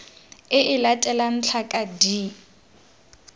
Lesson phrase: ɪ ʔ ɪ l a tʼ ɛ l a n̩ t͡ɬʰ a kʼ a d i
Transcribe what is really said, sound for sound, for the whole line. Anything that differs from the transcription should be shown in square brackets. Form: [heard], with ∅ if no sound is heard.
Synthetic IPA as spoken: ɪ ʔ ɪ l a tʼ ɛ l a n̩ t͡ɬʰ a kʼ a d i